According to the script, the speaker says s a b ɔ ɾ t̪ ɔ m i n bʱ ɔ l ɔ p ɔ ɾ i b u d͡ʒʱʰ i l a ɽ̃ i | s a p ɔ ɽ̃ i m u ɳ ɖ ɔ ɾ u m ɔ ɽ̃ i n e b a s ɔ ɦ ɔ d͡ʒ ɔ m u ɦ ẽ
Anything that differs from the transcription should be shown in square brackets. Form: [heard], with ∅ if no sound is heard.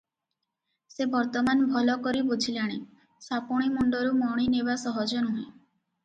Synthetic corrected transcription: s [e] b ɔ ɾ t̪ ɔ m [a] n bʱ ɔ l ɔ [k] ɔ ɾ i b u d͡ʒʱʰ i l a ɽ̃ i | s a p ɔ ɽ̃ i m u ɳ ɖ ɔ ɾ u m ɔ ɽ̃ i n e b a s ɔ ɦ ɔ d͡ʒ ɔ [n] u ɦ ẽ